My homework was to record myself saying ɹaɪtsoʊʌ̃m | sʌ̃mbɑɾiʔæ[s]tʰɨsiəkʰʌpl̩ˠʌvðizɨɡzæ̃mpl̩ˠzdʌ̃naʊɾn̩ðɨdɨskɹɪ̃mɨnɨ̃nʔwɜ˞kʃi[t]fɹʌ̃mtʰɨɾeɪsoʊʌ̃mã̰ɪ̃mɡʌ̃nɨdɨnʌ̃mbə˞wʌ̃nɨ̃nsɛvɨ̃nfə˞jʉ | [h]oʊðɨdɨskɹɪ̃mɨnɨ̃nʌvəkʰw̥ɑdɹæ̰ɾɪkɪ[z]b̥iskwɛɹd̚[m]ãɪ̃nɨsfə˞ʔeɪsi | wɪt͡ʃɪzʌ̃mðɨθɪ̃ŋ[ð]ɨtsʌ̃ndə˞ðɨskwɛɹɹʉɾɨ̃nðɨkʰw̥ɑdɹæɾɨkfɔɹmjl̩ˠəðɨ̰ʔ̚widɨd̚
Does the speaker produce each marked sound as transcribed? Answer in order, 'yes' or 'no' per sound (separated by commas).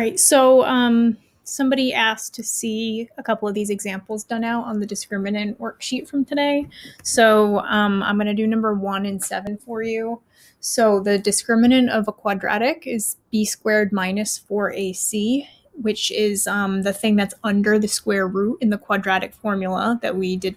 yes, yes, no, yes, yes, yes